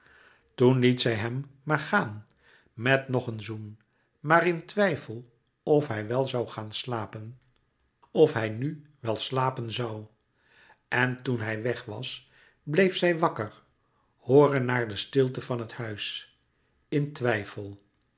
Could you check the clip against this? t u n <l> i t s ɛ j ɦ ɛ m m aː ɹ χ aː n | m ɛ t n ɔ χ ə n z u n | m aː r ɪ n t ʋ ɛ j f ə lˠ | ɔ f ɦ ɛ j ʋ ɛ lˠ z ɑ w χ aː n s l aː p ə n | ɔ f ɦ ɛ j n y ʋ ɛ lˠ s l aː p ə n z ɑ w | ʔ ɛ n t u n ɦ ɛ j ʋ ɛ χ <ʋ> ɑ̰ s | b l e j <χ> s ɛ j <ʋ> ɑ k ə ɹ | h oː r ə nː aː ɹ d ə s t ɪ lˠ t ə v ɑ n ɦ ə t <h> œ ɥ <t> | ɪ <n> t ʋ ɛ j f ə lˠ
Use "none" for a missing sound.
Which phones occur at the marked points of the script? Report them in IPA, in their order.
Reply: l, ʋ, f, ʋ, h, s, n

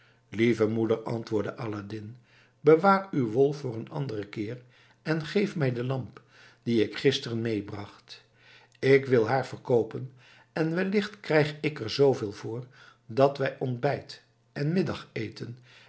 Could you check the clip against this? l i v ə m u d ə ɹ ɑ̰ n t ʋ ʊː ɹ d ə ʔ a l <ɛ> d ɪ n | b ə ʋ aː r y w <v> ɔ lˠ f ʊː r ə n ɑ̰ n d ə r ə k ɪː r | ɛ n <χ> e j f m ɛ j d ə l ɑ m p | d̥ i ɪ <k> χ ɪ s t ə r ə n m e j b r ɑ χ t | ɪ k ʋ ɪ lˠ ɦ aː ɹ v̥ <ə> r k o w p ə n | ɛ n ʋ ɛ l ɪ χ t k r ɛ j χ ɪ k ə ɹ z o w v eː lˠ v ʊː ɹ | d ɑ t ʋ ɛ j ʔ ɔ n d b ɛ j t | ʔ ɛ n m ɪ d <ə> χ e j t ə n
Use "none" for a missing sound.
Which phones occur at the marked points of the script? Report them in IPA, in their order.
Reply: a, ʋ, χ, k, ə, ɑ

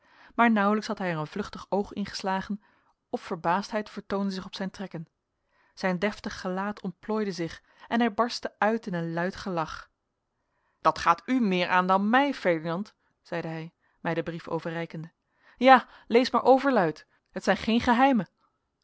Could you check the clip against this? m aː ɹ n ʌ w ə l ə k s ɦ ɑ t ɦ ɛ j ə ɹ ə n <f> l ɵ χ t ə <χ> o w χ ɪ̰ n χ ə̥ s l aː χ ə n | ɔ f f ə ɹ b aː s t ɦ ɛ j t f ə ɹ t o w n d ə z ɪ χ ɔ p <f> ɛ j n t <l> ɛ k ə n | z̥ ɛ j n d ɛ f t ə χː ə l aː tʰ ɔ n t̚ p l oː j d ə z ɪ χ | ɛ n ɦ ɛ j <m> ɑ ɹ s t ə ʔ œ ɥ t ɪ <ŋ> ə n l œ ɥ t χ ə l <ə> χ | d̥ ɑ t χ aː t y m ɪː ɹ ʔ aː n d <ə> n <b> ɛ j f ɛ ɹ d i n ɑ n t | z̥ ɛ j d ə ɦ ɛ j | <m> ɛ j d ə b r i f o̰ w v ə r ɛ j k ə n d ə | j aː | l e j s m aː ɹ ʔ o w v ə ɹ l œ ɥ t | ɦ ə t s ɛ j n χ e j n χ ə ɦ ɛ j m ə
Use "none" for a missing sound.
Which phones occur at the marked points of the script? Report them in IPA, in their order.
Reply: v, χ, s, r, b, n, ɑ, ɑ, m, m

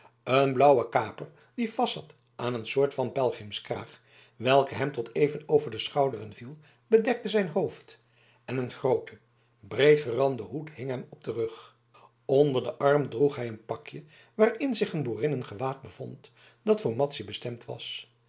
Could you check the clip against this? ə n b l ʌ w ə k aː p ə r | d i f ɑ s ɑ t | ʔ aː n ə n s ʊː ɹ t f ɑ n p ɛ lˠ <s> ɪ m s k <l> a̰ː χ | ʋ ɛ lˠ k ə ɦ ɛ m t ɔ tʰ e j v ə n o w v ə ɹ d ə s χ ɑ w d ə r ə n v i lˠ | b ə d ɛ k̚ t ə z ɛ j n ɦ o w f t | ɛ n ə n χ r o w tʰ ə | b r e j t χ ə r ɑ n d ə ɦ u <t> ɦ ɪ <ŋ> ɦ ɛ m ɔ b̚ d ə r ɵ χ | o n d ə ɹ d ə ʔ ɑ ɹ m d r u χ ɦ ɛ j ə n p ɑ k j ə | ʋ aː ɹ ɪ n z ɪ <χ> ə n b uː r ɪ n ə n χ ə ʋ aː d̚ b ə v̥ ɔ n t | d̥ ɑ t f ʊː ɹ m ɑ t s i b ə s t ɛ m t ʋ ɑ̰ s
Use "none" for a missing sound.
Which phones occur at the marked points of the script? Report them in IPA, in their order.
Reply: χ, r, t, ŋ, χ

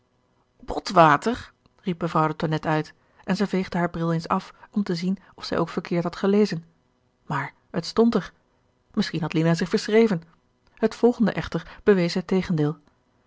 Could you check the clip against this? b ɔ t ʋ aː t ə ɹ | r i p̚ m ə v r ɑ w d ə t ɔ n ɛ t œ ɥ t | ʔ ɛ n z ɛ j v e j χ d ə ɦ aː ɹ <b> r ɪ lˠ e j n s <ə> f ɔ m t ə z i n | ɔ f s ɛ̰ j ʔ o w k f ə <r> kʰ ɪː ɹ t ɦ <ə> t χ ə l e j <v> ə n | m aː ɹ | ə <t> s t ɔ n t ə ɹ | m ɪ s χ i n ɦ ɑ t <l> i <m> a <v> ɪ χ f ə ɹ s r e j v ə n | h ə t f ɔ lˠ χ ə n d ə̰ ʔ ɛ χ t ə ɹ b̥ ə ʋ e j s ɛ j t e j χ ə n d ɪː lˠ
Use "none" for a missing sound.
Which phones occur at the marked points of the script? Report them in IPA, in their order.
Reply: b, ɑ, ɹ, ɑ, z, t, l, n, z

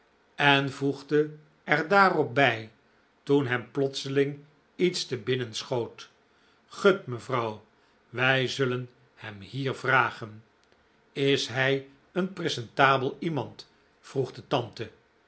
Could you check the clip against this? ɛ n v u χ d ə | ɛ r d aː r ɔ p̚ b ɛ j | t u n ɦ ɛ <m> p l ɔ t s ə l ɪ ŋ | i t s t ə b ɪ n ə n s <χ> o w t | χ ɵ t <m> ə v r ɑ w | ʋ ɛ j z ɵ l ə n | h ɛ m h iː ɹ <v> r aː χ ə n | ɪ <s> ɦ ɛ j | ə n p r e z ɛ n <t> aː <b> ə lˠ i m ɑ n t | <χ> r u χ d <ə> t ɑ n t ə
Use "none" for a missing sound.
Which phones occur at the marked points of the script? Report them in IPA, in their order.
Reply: m, χ, m, v, s, t, b, f, ə

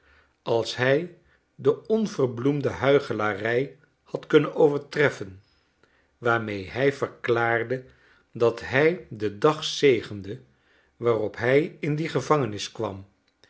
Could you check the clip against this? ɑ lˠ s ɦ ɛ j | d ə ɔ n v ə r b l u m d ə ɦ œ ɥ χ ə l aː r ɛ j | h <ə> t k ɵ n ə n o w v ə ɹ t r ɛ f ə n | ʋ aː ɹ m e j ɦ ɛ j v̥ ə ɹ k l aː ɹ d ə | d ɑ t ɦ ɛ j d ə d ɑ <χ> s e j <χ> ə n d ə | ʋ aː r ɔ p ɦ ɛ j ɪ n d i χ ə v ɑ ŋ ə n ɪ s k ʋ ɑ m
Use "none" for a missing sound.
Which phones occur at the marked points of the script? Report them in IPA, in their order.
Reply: ɑ, χ, χ

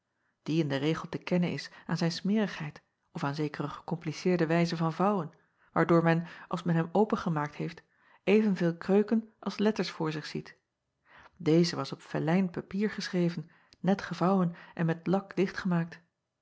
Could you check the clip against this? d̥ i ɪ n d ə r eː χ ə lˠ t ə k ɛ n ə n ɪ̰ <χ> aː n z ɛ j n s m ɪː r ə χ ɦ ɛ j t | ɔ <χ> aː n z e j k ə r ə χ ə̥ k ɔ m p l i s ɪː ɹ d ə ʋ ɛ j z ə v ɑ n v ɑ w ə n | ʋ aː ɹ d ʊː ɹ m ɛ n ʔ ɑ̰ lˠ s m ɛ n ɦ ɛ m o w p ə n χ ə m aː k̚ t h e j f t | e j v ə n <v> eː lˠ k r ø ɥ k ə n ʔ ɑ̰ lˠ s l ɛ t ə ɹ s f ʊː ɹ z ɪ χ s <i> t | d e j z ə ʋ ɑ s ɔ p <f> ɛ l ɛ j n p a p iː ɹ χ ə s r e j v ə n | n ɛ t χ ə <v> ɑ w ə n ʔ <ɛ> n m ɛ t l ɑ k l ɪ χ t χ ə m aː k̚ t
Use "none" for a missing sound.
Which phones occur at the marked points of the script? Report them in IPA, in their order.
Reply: s, f, v, i, f, v, ɛ

